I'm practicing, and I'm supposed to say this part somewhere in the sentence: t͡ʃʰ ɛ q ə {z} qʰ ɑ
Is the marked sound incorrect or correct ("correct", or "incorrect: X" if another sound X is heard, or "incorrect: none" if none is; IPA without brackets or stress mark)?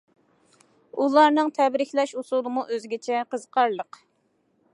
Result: correct